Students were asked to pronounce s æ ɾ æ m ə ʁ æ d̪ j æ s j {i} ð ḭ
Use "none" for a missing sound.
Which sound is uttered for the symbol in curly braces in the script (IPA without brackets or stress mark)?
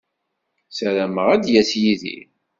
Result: i